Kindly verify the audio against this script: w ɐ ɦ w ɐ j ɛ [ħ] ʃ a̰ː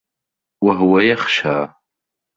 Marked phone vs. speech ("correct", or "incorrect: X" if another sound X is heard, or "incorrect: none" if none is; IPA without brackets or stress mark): incorrect: χ